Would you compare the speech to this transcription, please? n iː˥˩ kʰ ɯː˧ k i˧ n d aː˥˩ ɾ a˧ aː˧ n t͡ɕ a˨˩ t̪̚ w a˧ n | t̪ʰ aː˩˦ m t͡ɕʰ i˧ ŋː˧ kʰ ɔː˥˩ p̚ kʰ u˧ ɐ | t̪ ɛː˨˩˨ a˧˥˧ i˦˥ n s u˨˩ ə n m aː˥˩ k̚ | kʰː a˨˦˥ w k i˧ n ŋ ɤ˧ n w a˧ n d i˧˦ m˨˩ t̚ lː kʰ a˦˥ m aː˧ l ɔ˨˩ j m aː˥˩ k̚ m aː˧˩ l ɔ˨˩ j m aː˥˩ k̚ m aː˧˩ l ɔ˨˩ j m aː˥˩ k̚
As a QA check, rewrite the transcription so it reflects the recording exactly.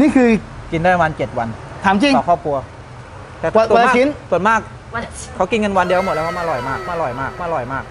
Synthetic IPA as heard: n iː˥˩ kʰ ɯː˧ k i˧ n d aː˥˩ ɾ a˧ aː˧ n t͡ɕ e˨˩ t̪̚ w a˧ n | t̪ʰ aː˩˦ m t͡ɕ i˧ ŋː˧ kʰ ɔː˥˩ p̚ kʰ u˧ ɐ | t̪ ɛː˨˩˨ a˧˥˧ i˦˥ n s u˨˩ ə n m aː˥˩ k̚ | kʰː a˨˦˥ w k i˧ n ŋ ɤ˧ n w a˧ n d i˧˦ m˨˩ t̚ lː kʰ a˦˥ m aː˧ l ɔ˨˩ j m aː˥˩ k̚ m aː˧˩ l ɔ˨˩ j m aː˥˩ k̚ m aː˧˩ l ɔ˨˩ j m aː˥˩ k̚